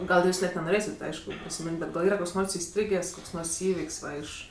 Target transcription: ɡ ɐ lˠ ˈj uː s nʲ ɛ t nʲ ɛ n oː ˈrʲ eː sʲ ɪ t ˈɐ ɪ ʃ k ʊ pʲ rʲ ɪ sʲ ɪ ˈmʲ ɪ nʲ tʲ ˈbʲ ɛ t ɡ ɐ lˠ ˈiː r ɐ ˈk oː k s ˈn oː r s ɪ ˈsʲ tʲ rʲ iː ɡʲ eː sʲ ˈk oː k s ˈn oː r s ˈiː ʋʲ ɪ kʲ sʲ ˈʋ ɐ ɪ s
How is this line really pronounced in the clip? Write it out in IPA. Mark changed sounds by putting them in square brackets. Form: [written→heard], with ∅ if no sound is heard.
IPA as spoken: ɡ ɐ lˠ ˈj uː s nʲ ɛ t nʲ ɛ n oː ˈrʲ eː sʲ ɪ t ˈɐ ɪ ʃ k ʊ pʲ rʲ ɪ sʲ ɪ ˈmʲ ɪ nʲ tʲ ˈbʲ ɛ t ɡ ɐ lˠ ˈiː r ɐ ˈk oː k s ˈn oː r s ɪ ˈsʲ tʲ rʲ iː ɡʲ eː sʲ ˈk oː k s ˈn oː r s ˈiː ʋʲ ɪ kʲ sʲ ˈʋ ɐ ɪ [s→ʃ]